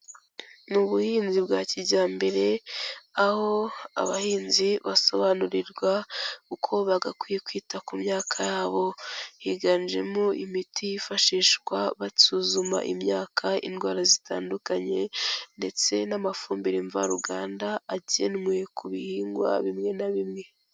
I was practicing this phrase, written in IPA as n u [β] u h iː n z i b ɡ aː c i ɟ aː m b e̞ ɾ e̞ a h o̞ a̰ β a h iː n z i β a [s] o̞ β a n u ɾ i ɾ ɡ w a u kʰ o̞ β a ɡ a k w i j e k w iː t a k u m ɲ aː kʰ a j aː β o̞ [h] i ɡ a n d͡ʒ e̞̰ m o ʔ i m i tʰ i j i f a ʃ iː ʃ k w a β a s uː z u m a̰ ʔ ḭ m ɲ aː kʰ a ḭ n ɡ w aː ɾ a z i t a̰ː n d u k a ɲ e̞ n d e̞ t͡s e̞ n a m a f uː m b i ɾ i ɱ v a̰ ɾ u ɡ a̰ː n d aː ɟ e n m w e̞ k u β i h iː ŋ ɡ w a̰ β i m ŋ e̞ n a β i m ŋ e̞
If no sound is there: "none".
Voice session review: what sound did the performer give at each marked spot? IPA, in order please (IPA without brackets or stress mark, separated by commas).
β, s, h